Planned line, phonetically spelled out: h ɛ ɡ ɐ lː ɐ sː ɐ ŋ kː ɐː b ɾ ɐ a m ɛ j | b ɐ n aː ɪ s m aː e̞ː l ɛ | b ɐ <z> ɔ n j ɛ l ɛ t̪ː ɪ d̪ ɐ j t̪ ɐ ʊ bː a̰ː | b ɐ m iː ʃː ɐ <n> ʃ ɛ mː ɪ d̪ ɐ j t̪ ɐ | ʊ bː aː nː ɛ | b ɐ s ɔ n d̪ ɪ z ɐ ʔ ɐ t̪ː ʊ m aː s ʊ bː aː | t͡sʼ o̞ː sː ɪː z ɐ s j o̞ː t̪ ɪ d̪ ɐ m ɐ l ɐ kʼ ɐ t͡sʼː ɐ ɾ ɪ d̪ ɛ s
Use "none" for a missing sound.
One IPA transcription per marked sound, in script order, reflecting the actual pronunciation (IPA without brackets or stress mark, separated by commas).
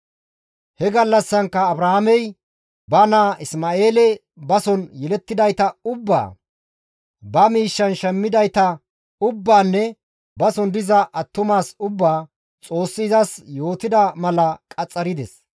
s, n